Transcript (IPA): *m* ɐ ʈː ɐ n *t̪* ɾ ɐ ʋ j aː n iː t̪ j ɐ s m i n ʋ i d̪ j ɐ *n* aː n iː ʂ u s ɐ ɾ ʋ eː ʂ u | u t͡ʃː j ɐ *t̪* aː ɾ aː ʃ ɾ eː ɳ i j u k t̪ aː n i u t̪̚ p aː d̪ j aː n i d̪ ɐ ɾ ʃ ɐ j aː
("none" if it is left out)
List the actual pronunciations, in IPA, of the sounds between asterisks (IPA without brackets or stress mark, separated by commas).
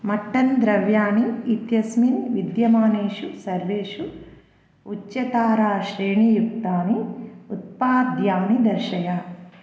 m, d̪, m, t̪